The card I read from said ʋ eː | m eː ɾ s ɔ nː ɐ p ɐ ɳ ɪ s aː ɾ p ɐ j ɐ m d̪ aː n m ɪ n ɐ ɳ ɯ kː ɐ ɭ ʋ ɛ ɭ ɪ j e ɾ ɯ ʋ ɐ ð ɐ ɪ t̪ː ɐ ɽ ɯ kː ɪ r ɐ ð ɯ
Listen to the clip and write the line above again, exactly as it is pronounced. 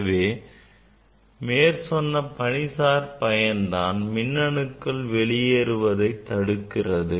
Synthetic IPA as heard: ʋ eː | m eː ɾ s ɔ nː ɐ p ɐ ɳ ɪ s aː ɾ p ɐ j ɐ n d̪ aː n m ɪ nː ɐ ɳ ɯ kː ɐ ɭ ʋ ɛ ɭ ɪ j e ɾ ɯ ʋ ɐ ð ɐ ɪ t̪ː ɐ ɽ ɯ kː ɪ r ɐ ð ɯ